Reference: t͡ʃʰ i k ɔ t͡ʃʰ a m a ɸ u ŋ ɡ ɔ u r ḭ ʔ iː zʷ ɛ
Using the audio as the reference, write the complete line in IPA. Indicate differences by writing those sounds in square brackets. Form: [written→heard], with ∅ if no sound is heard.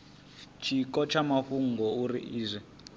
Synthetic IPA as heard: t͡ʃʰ i k ɔ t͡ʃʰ a m a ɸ u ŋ ɡ ɔ u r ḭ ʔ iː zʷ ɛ